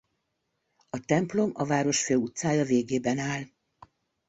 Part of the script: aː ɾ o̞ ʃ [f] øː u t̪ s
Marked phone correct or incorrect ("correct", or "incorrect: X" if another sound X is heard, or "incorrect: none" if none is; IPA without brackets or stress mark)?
correct